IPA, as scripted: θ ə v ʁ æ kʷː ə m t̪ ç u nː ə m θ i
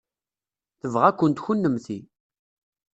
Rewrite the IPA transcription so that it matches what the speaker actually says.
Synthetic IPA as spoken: θ ə v ʁ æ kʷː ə n t̪ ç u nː ə m θ i

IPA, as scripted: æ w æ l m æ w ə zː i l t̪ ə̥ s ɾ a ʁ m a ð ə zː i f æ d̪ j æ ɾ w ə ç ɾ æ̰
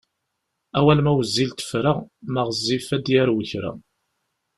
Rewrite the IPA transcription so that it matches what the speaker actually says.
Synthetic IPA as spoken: æ w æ l m æ w ə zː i l t̪ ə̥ f ɾ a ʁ m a ʁ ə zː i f æ d̪ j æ ɾ w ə ç ɾ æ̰

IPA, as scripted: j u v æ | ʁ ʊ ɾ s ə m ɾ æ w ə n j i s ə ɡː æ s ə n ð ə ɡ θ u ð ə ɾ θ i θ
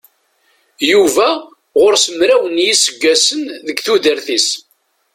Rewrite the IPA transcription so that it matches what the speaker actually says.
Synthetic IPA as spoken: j u v æ | ʁ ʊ ɾ s ə m ɾ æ w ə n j i s ə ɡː æ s ə n ð ə ɡ θ u ð ə ɾ θ i s

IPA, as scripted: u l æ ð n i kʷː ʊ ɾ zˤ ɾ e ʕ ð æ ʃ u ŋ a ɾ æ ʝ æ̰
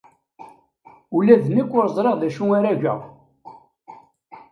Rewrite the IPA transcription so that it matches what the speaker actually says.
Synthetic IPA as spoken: u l æ ð n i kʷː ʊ ɾ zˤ ɾ e ʁ ð æ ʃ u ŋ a ɾ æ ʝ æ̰

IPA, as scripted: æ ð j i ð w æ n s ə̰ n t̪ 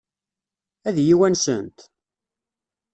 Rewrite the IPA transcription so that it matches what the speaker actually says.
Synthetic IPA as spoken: æ ð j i w æ n s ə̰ n t̪

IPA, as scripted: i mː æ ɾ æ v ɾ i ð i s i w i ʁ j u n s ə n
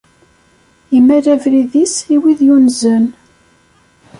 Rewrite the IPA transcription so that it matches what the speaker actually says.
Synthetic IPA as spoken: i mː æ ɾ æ v ɾ i ð i s i w i ð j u n z ə n

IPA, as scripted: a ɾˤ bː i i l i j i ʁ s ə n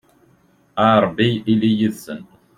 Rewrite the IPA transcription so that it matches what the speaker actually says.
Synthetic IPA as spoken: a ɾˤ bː i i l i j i ð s ə n

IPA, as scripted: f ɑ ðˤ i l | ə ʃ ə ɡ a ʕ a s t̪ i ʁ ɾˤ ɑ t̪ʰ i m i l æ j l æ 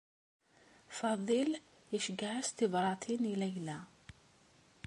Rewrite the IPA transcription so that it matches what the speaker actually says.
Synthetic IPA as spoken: f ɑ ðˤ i l | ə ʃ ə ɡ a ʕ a s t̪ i v ɾˤ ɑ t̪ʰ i n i l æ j l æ

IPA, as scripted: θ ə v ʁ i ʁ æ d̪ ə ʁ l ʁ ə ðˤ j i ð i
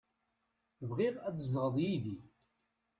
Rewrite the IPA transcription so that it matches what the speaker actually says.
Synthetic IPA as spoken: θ ə v ʁ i ʁ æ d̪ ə z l ʁ ə ðˤ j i ð i

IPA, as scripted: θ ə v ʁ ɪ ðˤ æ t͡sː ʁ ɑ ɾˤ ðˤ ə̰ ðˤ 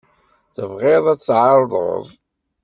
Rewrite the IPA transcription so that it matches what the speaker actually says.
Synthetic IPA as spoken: θ ə v ʁ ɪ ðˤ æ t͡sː ʕ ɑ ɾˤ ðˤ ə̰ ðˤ

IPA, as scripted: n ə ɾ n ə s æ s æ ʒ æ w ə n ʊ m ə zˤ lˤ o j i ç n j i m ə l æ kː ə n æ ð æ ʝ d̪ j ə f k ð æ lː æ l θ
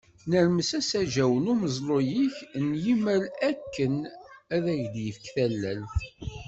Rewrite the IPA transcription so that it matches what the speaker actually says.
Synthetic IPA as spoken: n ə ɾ m ə s æ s æ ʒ æ w ə n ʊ m ə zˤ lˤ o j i ç n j i m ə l æ kː ə n æ ð æ ʝ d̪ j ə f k θ æ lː æ l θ

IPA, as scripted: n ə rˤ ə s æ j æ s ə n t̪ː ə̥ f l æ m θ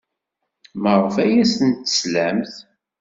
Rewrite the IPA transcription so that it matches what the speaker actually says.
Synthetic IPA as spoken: m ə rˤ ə f æ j æ s ə n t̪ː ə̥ s l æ m θ

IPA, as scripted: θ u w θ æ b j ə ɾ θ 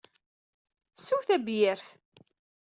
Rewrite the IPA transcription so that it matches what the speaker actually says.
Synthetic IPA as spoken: s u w θ æ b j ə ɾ θ

